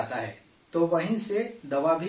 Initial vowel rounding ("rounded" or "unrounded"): unrounded